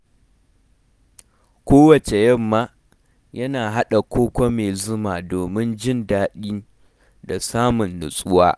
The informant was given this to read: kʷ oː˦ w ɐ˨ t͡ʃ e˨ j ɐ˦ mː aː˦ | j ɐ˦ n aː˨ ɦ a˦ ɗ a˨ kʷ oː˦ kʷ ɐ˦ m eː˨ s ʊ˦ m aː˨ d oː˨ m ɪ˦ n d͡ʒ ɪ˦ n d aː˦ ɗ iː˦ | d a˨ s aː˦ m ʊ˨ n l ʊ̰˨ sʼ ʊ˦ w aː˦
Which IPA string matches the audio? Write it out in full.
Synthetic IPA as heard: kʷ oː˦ w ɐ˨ t͡ʃ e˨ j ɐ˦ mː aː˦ | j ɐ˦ n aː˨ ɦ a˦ ɗ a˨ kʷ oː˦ kʷ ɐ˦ m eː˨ z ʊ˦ m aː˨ d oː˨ m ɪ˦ n d͡ʒ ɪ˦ n d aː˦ ɗ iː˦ | d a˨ s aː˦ m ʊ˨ n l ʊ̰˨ sʼ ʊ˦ w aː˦